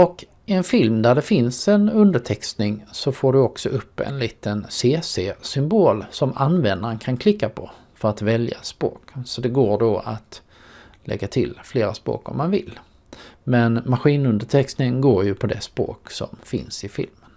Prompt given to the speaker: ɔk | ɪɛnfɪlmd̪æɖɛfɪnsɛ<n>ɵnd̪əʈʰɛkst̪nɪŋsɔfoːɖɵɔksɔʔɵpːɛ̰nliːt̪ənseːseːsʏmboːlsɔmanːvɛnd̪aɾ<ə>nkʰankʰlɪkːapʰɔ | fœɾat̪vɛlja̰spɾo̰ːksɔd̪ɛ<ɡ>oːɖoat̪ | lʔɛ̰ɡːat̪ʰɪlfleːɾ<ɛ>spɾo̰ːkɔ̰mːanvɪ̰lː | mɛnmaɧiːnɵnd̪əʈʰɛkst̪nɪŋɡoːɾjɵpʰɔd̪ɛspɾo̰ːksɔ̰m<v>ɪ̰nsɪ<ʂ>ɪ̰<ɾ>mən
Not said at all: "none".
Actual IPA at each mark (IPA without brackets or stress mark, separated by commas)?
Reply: n, ə, ɡ, a, f, f, l